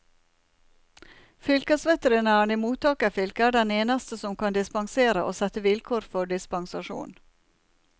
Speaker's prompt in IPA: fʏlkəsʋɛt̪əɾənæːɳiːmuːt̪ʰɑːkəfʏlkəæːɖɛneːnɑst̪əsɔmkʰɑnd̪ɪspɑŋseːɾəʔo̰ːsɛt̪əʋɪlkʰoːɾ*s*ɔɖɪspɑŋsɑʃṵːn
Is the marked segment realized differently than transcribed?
yes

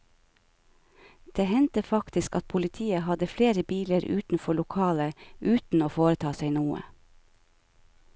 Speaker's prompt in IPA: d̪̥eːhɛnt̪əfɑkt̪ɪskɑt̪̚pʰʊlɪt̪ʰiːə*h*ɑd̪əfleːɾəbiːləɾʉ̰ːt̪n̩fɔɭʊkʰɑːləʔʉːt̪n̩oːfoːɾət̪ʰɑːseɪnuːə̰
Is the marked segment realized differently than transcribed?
no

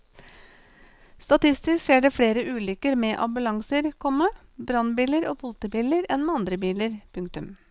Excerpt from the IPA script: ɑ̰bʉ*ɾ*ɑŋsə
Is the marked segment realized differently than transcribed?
yes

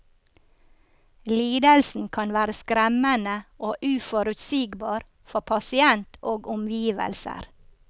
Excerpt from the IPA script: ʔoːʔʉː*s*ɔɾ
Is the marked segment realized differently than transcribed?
yes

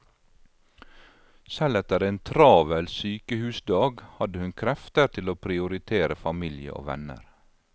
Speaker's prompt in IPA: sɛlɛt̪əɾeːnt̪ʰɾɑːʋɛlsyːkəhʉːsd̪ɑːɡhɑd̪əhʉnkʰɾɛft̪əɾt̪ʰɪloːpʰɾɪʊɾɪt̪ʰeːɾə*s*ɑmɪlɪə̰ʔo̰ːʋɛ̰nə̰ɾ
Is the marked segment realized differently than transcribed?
yes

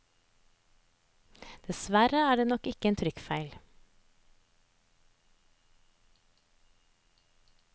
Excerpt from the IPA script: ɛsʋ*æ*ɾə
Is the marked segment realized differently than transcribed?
no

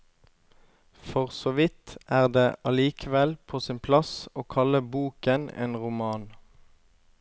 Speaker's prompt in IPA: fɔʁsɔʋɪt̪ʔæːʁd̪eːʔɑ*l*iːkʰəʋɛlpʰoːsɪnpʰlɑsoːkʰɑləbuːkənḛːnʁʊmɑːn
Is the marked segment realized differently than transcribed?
no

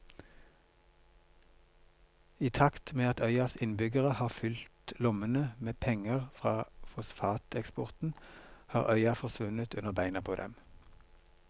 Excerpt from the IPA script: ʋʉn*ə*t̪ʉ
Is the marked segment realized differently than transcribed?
no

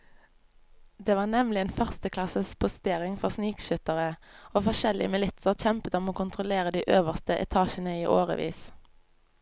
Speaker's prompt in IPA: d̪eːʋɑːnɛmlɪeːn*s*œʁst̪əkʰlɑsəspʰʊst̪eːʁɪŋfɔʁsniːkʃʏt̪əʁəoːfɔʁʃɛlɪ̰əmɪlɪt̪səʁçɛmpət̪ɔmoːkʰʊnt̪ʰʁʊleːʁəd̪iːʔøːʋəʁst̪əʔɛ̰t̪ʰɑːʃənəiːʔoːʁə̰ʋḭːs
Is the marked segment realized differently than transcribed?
yes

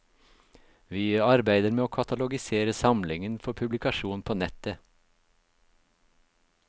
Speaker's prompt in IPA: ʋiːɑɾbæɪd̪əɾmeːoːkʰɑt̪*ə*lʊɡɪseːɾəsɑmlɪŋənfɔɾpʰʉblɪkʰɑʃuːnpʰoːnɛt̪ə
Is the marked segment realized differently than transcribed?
yes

